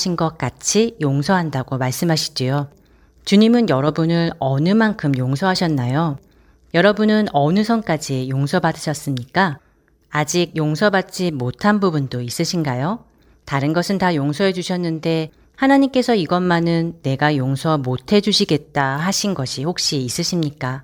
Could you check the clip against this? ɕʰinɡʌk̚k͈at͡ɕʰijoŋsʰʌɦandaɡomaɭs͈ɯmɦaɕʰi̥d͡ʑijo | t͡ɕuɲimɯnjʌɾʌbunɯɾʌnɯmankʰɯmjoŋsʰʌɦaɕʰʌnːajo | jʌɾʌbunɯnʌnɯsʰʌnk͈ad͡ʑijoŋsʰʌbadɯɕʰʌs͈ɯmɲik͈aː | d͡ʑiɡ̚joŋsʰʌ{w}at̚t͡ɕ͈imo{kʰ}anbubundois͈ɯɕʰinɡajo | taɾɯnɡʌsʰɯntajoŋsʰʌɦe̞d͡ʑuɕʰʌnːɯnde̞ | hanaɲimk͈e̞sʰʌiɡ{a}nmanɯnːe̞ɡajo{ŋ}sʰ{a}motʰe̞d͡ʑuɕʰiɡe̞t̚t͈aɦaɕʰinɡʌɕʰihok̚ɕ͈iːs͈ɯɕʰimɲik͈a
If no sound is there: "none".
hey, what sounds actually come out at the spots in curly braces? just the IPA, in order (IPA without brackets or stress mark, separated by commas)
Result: b, tʰ, ʌ, ŋ, ʌ